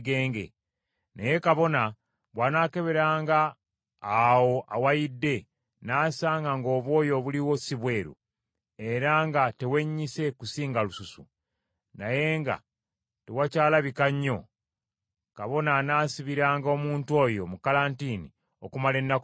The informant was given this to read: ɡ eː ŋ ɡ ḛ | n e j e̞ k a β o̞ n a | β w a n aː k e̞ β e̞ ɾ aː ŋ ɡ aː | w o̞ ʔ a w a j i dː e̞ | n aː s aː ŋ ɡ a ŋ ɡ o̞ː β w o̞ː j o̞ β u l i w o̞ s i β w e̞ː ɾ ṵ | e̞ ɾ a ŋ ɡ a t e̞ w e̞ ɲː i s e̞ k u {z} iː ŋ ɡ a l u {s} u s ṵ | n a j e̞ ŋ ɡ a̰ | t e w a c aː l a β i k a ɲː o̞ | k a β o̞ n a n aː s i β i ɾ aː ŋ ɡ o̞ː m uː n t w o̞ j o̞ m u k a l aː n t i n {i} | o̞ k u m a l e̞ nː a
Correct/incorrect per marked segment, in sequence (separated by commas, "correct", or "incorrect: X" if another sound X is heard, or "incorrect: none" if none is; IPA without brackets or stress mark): incorrect: s, correct, correct